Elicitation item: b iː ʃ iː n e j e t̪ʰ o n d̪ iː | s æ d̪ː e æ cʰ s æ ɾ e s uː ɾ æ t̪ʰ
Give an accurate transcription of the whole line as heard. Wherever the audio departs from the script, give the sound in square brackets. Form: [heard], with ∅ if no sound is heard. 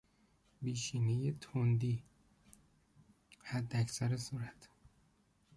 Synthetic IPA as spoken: b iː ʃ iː n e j e t̪ʰ o n d̪ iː | [h] æ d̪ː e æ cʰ s æ ɾ e s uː ɾ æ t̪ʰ

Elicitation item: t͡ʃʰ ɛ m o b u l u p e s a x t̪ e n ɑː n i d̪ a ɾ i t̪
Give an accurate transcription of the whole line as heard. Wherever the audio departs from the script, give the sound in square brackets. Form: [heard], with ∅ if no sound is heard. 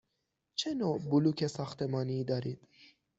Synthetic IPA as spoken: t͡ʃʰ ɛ [n] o b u l u [k] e s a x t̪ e [m] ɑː n i d̪ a ɾ i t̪

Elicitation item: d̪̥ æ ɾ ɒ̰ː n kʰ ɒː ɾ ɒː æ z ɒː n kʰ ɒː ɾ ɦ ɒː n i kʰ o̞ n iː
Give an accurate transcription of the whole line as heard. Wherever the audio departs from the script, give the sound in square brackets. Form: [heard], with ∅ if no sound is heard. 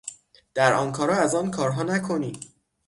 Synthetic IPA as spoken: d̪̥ æ ɾ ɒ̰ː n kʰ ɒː ɾ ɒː æ z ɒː n kʰ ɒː ɾ ɦ ɒː n [æ] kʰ o̞ n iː

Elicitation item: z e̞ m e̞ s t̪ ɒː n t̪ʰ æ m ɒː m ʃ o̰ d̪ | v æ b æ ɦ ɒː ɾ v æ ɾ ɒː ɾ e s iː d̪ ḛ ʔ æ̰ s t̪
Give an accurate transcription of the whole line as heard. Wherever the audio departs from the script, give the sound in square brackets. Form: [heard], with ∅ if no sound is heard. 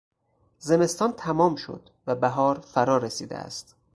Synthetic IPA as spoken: z e̞ m e̞ s t̪ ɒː n t̪ʰ æ m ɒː m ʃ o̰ d̪ | v æ b æ ɦ ɒː ɾ [f] æ ɾ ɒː ɾ e s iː d̪ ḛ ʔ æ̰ s t̪

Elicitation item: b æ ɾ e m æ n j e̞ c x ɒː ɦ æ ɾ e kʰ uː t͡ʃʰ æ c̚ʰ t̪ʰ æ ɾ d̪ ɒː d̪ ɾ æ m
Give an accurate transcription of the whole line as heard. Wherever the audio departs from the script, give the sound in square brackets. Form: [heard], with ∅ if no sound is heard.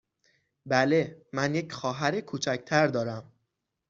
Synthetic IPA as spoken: b æ [l] e m æ n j e̞ c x ɒː ɦ æ ɾ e kʰ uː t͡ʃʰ æ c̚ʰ t̪ʰ æ ɾ d̪ ɒː [∅] ɾ æ m

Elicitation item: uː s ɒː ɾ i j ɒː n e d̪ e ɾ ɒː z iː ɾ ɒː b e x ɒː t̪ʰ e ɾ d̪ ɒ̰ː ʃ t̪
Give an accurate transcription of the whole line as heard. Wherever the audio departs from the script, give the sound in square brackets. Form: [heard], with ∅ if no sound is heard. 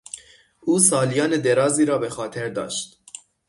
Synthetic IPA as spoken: uː s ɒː [l] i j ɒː n e d̪ e ɾ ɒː z iː ɾ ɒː b e x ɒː t̪ʰ e ɾ d̪ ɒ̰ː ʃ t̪

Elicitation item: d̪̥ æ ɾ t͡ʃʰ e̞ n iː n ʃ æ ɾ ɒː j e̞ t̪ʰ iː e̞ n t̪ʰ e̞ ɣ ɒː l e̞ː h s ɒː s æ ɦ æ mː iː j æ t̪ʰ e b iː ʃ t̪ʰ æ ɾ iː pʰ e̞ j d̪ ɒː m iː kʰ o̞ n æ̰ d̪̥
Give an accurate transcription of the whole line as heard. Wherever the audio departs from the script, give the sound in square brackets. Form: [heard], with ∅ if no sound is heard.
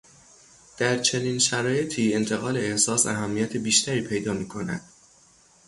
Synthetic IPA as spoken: d̪̥ æ ɾ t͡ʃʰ e̞ n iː n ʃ æ ɾ ɒː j e̞ t̪ʰ iː e̞ n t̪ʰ e̞ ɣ ɒː l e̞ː h s ɒː s æ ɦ æ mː [i] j æ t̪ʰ e b iː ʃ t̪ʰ æ ɾ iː pʰ e̞ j d̪ ɒː m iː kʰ o̞ n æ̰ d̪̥

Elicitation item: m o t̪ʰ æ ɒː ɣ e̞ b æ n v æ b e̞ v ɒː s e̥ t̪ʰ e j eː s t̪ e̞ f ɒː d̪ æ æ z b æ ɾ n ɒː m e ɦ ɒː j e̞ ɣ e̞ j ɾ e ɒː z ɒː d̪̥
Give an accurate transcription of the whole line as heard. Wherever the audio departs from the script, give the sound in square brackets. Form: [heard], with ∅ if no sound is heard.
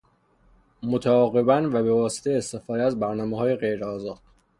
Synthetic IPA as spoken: m o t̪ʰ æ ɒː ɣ e̞ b æ n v æ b e̞ v ɒː s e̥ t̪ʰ e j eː s t̪ e̞ f ɒː d̪ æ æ z b æ ɾ n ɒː m e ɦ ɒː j e̞ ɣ e̞ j ɾ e ɒː z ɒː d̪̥

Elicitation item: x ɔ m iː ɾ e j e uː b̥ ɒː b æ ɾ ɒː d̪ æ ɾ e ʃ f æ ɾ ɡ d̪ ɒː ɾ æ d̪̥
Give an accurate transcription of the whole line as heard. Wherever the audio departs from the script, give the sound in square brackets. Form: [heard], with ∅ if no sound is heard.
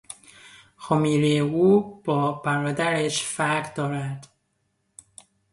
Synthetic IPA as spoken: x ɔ m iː ɾ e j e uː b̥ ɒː b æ ɾ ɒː d̪ æ ɾ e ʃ f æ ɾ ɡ d̪ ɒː ɾ æ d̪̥

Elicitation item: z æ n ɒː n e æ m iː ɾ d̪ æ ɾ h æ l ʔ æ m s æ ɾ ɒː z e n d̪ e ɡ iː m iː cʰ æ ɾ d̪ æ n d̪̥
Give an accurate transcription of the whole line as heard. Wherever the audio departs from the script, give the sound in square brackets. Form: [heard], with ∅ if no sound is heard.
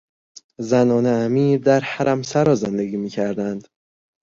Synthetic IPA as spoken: z æ n ɒː n e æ m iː ɾ d̪ æ ɾ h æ [ɾ] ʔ æ m s æ ɾ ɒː z e n d̪ e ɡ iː m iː cʰ æ ɾ d̪ æ n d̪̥

